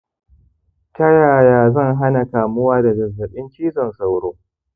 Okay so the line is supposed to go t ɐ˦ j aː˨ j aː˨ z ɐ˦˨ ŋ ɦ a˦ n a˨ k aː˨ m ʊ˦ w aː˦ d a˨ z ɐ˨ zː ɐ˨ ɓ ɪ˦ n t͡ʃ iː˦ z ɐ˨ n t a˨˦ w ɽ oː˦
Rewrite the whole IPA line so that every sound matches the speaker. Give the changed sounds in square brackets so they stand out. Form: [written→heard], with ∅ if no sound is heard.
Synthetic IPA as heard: t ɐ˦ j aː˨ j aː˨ z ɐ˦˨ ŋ ɦ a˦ n a˨ k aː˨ m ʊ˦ w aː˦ d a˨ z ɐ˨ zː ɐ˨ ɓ ɪ˦ n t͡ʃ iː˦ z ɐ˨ n [t→s] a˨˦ w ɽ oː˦